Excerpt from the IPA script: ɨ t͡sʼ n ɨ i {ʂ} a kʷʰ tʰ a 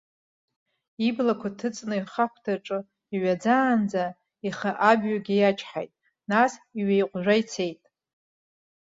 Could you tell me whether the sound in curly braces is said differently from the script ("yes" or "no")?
yes